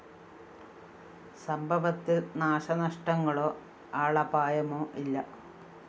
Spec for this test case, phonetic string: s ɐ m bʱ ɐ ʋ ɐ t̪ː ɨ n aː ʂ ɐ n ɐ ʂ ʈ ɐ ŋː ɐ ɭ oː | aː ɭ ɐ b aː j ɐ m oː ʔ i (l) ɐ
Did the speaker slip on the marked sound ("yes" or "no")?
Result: yes